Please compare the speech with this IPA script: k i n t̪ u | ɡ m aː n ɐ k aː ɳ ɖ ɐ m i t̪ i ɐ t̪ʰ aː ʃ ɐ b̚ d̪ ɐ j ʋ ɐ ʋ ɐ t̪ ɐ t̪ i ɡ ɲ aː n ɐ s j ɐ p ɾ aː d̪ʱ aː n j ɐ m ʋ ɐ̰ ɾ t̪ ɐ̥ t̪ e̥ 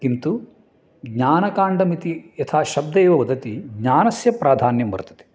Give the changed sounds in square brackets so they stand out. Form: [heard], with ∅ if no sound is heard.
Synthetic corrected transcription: k i n t̪ u | ɡ [ɲ] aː n ɐ k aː ɳ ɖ ɐ m i t̪ i ɐ t̪ʰ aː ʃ ɐ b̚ d̪ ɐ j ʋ ɐ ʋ ɐ [d̪] ɐ t̪ i ɡ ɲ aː n ɐ s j ɐ p ɾ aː d̪ʱ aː n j ɐ m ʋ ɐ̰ ɾ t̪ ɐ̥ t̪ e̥

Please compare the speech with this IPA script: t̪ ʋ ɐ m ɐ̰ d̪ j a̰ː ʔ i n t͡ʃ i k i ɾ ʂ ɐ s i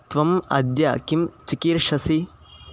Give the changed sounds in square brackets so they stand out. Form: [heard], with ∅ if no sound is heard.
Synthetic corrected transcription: t̪ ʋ ɐ m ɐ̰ d̪ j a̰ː [k] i [m] t͡ʃ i k i ɾ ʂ ɐ s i

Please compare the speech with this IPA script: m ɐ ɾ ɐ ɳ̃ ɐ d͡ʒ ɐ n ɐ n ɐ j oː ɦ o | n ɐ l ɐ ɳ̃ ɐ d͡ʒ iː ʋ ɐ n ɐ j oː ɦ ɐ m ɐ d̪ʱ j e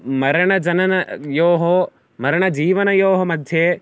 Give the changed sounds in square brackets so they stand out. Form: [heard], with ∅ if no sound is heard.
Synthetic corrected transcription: m ɐ ɾ ɐ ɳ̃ ɐ d͡ʒ ɐ n ɐ n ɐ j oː ɦ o | [m] ɐ [ɾ] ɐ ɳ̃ ɐ d͡ʒ iː ʋ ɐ n ɐ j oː ɦ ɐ m ɐ d̪ʱ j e

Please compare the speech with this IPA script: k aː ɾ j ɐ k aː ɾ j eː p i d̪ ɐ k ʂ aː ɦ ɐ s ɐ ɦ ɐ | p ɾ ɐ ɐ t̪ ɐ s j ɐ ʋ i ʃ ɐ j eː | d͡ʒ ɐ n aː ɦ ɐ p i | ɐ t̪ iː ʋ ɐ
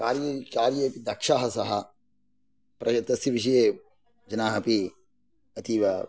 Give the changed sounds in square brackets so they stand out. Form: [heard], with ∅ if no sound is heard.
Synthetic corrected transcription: k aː ɾ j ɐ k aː ɾ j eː p i d̪ ɐ k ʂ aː ɦ ɐ s ɐ ɦ ɐ | p ɾ ɐ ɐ t̪ ɐ s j ɐ ʋ i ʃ ɐ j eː | d͡ʒ ɐ n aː ɦ ɐ p i | ɐ t̪ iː ʋ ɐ

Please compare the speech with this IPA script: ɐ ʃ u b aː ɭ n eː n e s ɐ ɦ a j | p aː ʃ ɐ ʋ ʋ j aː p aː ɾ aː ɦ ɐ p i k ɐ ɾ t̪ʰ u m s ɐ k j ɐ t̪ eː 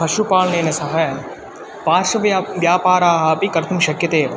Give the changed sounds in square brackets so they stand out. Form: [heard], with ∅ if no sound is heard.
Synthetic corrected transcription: ɐ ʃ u [p] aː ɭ n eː n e s ɐ ɦ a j | p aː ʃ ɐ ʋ ʋ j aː p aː ɾ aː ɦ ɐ p i k ɐ ɾ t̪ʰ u m [ʃ] ɐ k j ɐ t̪ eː

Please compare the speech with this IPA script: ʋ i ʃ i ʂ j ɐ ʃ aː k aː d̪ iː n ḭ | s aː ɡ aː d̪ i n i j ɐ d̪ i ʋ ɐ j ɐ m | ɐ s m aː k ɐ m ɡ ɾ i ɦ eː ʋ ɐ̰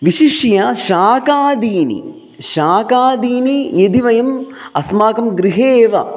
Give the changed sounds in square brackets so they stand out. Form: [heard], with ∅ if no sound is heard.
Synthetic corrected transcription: ʋ i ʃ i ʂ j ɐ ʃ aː k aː d̪ iː n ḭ | [ʃ] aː [k] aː d̪ [iː] n i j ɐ d̪ i ʋ ɐ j ɐ m | ɐ s m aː k ɐ m ɡ ɾ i ɦ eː ʋ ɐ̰

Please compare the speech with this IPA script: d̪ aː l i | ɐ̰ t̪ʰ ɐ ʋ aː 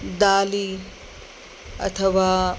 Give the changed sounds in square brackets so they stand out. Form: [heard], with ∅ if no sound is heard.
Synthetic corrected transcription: d̪ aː l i | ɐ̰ t̪ʰ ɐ ʋ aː

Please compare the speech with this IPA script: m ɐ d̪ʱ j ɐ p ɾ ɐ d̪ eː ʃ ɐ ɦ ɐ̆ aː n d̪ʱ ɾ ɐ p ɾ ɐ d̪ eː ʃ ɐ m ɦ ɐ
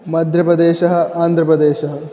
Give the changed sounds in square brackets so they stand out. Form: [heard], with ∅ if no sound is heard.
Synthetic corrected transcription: m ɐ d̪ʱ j ɐ p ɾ ɐ d̪ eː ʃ ɐ ɦ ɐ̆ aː n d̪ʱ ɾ ɐ p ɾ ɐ d̪ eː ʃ ɐ [∅] ɦ ɐ

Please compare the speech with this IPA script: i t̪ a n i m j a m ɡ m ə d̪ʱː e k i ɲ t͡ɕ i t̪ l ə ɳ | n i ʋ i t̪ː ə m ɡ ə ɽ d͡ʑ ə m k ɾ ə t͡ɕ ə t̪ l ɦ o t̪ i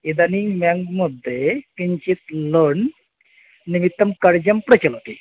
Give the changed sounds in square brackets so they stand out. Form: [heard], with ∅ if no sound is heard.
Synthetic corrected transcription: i [d̪] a n i m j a [ŋ] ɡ m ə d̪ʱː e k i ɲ t͡ɕ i t̪ l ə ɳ | n i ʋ i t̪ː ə m [k] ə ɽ d͡ʑ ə m [p] ɾ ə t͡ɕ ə [∅] l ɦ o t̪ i

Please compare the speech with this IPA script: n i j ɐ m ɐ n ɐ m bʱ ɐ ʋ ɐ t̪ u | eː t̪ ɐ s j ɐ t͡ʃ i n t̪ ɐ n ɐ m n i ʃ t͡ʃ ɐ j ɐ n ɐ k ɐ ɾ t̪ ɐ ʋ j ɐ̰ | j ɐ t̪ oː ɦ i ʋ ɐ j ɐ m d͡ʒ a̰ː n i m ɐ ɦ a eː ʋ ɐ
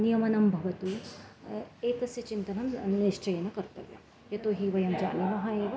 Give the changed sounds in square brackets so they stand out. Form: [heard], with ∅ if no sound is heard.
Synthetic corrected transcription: n i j ɐ m ɐ n ɐ m bʱ ɐ ʋ ɐ t̪ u | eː t̪ ɐ s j ɐ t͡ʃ i n t̪ ɐ n ɐ m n i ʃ t͡ʃ ɐ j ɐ n ɐ k ɐ ɾ t̪ ɐ ʋ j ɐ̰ | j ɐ t̪ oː ɦ i ʋ ɐ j ɐ m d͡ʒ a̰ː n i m ɐ ɦ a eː ʋ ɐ

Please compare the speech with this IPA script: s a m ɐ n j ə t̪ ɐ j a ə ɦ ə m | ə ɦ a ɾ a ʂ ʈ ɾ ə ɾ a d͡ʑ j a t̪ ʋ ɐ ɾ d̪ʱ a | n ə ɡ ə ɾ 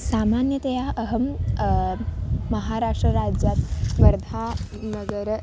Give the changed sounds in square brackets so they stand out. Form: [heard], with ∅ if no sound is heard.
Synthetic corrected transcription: s a m [a] n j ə t̪ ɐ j a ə ɦ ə m | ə ɦ a ɾ a ʂ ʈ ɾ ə ɾ a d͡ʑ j a t̪ ʋ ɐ ɾ d̪ʱ a | n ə ɡ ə ɾ

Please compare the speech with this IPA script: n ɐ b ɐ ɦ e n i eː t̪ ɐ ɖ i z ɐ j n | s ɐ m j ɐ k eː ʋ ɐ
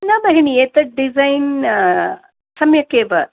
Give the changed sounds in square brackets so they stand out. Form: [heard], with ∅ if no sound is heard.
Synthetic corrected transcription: n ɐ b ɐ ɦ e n i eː t̪ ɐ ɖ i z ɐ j n | s ɐ m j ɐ k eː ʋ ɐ

